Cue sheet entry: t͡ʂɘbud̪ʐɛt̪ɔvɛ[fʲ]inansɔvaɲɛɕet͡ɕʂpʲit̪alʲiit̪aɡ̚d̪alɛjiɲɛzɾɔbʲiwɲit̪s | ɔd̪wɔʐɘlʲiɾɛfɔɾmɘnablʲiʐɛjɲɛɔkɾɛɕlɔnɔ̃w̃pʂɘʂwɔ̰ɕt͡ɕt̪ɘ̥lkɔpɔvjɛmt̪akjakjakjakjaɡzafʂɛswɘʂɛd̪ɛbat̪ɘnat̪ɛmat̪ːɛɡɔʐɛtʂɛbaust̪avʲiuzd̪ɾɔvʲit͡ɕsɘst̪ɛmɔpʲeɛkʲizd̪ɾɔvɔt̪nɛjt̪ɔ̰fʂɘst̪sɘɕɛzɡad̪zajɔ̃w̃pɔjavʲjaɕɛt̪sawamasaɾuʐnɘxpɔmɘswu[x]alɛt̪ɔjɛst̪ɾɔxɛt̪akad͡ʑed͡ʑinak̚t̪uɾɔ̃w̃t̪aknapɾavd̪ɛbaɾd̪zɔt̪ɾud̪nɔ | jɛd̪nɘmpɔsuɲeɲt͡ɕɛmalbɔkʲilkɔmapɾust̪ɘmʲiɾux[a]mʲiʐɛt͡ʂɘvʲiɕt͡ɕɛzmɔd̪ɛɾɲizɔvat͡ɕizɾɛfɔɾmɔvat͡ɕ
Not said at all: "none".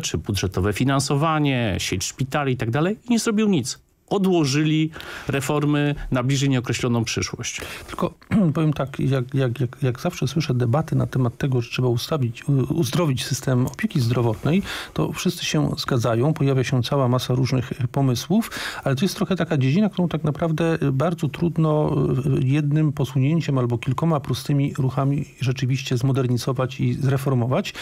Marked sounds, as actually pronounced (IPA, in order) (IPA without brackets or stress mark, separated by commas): fʲ, f, a